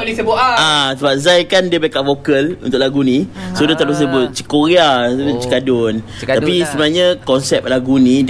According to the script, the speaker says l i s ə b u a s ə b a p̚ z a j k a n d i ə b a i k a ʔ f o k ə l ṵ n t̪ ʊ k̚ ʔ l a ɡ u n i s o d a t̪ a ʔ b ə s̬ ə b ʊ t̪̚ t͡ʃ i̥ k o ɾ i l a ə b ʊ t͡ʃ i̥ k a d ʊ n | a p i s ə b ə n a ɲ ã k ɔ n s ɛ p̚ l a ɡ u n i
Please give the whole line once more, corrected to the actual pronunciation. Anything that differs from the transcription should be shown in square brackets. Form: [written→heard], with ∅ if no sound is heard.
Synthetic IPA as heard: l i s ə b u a s ə b a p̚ z a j k a n d i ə b a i k a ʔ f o k ə l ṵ n t̪ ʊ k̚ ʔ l a ɡ u n i s o d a t̪ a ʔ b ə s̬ ə b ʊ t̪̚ t͡ʃ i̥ k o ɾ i [l→∅] a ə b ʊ t͡ʃ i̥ k a d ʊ n | a p i s ə b ə n a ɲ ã k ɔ n s ɛ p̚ l a ɡ u n i